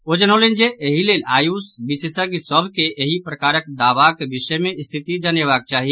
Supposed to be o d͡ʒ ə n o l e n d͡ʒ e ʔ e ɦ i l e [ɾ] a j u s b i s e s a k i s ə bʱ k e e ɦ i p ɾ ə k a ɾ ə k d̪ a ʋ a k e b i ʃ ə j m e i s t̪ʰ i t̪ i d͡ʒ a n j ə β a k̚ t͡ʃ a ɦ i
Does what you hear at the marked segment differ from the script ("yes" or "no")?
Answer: yes